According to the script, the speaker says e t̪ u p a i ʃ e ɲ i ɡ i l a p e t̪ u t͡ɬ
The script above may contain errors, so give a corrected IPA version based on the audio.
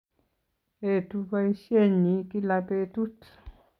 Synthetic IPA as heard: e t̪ u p a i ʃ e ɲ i k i l a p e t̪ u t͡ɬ